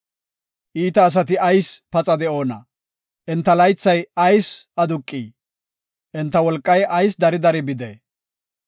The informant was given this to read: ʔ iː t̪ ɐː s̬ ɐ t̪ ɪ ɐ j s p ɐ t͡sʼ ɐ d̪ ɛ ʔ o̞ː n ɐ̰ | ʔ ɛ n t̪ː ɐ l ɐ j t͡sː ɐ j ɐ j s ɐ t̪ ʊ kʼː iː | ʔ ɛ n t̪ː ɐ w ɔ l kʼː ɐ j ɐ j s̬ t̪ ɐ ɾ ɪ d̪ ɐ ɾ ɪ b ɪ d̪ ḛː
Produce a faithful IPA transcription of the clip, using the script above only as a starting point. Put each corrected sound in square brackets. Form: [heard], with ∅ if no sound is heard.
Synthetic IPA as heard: ʔ iː t̪ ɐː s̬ ɐ t̪ ɪ ɐ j s p ɐ t͡sʼ ɐ d̪ ɛ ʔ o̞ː n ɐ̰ | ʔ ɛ n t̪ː ɐ l ɐ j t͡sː ɐ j ɐ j s ɐ [d̪] ʊ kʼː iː | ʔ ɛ n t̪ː ɐ w ɔ l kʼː ɐ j ɐ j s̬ [d̪] ɐ ɾ ɪ d̪ ɐ ɾ ɪ b ɪ d̪ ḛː